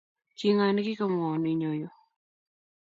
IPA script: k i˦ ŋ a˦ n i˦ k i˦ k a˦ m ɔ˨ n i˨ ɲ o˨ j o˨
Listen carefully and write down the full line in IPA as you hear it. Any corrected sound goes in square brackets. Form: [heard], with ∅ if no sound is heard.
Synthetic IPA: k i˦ ŋ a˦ n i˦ k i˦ k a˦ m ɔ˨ n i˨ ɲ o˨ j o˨